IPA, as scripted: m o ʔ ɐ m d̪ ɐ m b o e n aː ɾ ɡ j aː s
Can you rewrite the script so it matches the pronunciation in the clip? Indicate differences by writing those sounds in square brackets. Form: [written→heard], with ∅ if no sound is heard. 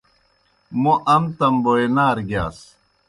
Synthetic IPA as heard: m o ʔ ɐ m [d̪→t̪] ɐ m b o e n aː ɾ ɡ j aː s